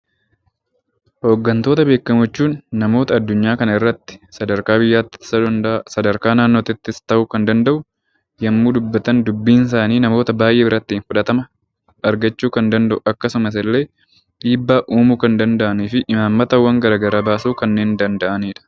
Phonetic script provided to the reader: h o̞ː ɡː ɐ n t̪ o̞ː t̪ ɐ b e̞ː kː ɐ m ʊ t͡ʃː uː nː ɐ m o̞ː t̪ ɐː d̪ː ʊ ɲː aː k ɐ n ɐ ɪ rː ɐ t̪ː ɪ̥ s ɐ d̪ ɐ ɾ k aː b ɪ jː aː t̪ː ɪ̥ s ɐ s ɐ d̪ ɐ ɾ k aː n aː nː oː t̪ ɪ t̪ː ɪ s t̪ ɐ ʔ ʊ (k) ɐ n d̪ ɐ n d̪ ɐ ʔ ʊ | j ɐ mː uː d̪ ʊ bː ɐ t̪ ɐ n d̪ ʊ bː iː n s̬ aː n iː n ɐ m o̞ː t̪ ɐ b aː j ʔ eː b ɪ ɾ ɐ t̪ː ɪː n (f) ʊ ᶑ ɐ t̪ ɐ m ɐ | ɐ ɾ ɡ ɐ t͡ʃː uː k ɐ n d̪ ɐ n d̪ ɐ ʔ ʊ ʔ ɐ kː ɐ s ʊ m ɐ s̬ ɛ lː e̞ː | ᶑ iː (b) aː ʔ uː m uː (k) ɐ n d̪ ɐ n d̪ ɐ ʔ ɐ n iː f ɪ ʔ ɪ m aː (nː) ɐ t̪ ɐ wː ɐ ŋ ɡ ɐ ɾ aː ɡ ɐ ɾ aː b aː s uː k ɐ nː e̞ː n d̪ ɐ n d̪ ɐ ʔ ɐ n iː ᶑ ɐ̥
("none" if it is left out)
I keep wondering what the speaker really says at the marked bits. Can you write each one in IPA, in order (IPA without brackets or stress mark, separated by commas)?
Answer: k, f, bː, k, mː